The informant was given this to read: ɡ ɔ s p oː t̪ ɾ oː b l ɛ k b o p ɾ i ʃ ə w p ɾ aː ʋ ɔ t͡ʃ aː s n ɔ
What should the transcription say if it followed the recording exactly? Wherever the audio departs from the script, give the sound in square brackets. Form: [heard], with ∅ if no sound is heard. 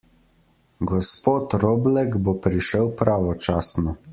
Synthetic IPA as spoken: ɡ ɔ s p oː t̪ ɾ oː b l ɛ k b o p ɾ i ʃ ə w p ɾ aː ʋ ɔ t͡ʃ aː s n ɔ